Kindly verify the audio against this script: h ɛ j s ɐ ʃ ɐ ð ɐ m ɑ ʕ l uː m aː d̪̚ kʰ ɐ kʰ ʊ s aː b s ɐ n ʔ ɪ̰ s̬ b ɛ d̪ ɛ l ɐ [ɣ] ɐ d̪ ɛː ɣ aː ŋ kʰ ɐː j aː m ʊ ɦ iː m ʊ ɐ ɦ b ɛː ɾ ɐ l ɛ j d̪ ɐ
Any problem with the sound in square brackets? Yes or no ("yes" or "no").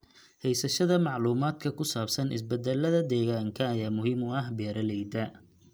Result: yes